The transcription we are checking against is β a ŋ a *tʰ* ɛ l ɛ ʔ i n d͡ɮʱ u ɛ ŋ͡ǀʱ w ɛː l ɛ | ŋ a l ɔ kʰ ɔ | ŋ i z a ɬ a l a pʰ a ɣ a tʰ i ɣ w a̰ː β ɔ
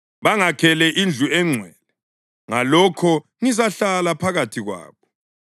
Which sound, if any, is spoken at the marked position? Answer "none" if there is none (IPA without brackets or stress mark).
kʰ